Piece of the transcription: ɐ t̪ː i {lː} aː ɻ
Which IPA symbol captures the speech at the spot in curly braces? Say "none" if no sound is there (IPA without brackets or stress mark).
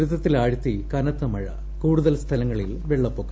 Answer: l